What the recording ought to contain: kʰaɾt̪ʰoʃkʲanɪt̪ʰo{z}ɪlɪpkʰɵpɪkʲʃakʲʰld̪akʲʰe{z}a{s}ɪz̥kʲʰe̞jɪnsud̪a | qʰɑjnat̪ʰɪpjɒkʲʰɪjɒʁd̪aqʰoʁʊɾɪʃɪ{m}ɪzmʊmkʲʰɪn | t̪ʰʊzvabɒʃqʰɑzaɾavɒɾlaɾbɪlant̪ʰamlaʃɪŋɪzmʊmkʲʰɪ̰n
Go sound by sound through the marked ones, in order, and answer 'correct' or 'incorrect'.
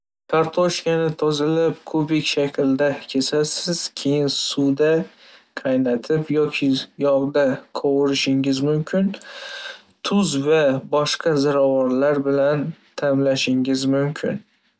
correct, incorrect: s, correct, incorrect: ŋ

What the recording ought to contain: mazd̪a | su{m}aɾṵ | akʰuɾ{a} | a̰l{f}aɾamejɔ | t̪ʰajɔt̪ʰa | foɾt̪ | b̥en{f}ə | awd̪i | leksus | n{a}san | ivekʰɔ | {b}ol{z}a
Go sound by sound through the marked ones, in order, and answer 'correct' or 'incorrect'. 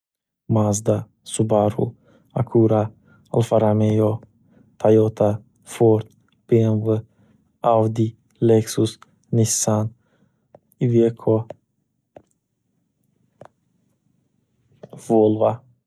incorrect: b, correct, correct, incorrect: v, incorrect: i, incorrect: v, incorrect: v

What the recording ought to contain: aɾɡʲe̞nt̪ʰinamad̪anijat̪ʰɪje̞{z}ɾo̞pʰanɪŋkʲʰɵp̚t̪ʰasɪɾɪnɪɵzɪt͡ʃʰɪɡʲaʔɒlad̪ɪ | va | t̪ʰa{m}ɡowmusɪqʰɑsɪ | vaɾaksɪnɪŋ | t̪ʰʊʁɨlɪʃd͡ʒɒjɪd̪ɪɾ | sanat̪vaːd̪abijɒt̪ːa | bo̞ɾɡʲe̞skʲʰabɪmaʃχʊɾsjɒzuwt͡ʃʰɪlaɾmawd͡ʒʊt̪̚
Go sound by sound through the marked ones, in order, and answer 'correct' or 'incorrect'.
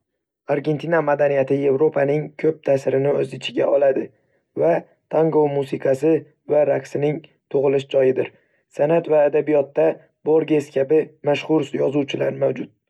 incorrect: v, incorrect: ŋ

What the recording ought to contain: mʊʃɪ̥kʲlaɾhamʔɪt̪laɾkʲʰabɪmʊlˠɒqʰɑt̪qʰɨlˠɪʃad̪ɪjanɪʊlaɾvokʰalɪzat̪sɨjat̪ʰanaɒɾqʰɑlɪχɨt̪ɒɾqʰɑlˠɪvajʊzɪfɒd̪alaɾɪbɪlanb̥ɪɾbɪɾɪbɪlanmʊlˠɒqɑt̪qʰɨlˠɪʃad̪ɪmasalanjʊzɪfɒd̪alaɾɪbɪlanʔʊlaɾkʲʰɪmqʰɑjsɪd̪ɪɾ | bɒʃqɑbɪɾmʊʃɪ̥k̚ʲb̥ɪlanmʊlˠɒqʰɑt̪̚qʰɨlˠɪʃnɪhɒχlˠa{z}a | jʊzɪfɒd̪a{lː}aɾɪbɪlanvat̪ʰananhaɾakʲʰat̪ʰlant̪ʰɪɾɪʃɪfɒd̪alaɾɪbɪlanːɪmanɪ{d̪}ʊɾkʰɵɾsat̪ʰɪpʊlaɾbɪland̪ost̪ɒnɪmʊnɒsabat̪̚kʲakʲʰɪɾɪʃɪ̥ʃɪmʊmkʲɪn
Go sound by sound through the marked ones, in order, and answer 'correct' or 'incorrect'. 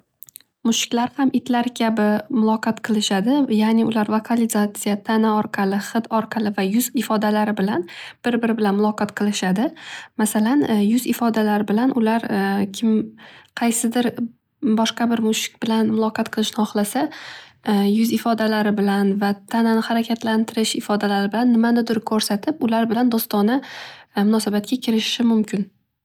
incorrect: s, incorrect: l, correct

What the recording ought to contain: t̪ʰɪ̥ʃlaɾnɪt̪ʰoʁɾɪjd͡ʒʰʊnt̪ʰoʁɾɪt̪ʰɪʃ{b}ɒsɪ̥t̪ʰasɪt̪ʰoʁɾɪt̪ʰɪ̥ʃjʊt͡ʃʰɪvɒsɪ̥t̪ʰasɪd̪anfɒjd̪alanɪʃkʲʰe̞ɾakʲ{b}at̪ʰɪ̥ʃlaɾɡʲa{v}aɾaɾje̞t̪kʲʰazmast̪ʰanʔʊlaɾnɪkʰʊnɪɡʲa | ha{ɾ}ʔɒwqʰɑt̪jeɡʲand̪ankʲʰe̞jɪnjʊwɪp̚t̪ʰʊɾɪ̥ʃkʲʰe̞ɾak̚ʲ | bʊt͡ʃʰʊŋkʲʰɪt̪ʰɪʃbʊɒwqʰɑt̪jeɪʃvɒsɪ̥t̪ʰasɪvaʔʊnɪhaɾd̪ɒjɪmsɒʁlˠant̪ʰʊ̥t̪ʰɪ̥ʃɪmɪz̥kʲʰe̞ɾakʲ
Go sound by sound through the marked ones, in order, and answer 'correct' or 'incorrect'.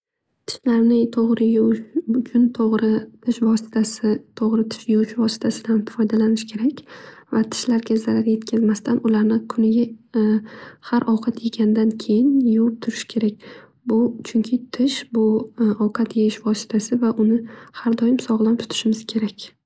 incorrect: v, incorrect: v, incorrect: z, correct

